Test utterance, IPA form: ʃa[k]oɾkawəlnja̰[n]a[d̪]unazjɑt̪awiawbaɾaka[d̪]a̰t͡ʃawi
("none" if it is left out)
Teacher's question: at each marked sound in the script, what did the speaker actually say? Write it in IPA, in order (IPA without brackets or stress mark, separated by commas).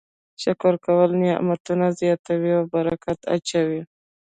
k, m, t̪, t̪